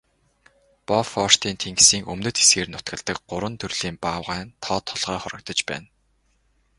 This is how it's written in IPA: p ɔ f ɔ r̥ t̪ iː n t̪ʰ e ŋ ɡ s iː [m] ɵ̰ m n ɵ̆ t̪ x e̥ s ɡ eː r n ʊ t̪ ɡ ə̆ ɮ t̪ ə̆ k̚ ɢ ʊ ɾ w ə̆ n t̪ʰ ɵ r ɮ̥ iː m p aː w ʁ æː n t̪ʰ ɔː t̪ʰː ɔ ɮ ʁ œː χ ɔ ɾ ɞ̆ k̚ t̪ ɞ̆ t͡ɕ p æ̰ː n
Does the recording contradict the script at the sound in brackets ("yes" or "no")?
yes